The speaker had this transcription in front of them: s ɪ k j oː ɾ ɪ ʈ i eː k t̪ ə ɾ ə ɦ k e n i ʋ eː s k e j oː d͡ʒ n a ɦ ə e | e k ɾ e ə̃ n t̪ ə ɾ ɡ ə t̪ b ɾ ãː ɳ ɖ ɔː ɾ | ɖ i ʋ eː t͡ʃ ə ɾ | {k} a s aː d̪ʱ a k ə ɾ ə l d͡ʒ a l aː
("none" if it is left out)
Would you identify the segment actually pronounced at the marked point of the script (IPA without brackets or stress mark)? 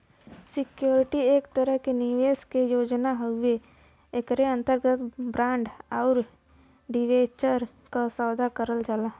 k